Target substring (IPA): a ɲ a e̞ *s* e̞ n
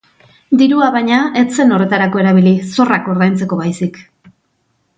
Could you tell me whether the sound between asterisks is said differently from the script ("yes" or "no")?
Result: yes